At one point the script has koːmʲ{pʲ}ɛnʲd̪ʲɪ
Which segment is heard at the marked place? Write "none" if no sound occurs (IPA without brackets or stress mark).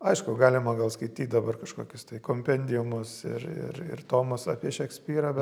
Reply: pʲ